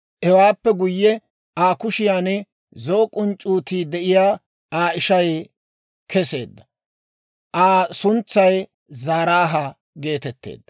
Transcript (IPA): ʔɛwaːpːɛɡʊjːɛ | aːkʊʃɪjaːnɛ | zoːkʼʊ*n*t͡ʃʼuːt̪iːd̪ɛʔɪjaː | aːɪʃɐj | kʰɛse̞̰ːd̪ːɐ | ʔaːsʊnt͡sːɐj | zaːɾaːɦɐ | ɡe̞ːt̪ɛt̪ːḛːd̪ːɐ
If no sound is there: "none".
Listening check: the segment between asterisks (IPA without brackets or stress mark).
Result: n